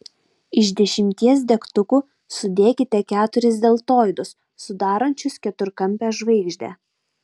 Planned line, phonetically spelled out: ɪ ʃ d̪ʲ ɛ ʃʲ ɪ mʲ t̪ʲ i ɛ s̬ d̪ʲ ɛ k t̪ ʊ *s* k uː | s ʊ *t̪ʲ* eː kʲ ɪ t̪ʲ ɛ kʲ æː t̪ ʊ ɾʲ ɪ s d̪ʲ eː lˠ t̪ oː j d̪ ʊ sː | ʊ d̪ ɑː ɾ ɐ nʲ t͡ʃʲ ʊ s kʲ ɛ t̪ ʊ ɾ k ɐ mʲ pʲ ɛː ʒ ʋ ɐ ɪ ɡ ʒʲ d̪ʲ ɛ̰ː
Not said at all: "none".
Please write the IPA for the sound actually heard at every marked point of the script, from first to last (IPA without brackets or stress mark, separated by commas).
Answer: none, d̪ʲ